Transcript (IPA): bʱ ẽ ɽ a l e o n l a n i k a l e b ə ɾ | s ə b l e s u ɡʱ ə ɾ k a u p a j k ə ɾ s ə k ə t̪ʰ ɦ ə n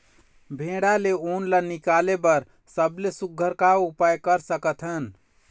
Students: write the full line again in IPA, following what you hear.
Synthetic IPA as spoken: bʱ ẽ ɽ a l e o n l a n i k a l e b ə ɾ | s ə b l e s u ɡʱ ə ɾ k a u p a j k ə ɾ s ə k ə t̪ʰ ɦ ə n